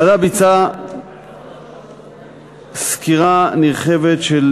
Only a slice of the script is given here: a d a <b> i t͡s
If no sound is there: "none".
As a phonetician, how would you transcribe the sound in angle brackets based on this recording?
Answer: b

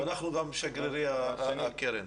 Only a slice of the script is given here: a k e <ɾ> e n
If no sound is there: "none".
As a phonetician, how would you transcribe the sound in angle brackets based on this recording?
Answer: ɾ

